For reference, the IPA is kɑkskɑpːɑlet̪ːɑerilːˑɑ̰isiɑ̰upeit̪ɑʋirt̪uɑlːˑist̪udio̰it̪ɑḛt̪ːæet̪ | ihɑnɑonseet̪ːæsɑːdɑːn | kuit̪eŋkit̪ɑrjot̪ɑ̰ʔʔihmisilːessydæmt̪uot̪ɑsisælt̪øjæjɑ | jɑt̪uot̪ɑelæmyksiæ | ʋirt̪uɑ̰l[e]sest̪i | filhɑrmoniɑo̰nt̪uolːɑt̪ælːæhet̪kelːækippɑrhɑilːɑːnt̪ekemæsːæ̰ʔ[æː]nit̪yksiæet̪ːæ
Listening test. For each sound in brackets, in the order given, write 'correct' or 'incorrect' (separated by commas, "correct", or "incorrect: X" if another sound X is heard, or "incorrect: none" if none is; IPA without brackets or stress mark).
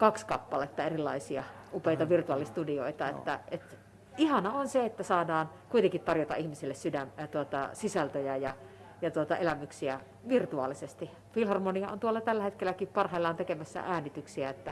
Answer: incorrect: i, correct